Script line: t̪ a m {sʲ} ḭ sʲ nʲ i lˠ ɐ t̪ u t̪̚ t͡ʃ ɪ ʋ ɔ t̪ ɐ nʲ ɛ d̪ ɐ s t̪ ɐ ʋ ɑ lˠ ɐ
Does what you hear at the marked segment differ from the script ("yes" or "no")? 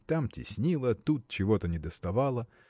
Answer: yes